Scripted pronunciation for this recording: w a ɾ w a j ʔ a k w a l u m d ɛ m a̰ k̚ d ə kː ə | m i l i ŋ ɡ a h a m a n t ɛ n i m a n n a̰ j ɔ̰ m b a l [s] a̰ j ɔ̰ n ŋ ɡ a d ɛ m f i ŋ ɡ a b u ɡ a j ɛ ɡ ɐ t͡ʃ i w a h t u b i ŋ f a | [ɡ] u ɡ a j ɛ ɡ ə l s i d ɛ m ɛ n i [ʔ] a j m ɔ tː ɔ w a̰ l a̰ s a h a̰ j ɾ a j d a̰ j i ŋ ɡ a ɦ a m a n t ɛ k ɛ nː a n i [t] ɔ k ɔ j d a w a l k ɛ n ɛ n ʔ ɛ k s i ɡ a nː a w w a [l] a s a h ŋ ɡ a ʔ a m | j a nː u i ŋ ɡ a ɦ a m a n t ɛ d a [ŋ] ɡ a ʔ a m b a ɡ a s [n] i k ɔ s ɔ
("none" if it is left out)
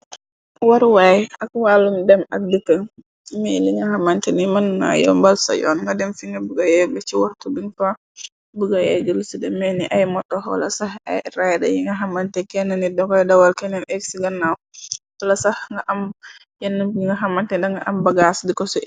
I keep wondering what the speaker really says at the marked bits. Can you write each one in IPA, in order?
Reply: s, b, ʔ, d, l, ŋ, d

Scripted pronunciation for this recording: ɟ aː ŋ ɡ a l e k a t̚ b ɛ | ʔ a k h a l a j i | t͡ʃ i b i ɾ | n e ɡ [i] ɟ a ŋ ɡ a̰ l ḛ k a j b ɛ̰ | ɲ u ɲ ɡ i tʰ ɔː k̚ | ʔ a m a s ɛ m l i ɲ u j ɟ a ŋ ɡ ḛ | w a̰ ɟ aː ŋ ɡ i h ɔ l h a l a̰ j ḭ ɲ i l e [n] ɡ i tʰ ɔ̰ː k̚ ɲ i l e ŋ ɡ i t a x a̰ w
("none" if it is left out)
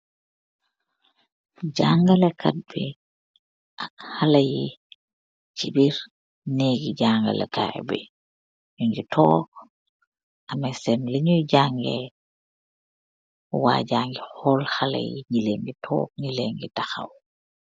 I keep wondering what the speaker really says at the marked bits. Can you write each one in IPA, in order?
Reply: i, ŋ

